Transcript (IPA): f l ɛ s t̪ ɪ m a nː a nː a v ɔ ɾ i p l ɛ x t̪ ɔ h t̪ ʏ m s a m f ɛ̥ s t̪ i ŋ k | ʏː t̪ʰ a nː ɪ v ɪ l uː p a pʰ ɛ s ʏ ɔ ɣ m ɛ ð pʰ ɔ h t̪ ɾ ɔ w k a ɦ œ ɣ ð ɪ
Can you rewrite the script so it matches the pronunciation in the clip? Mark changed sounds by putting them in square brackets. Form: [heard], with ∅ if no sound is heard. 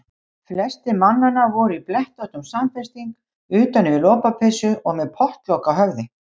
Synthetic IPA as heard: f l ɛ s t̪ ɪ m a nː a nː a v ɔ ɾ i p l ɛ [h] t̪ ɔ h t̪ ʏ m s a m f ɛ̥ s t̪ i ŋ k | ʏː [t̪] a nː ɪ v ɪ l [ɔː] p a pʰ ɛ s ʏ ɔ ɣ m ɛ ð pʰ ɔ h t̪ [l] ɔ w k a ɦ œ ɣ ð ɪ